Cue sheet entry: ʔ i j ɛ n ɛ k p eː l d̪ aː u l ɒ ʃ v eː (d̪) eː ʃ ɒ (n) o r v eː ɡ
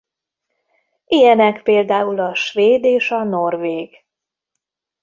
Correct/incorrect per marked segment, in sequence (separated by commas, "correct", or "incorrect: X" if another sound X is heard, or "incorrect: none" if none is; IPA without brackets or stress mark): correct, correct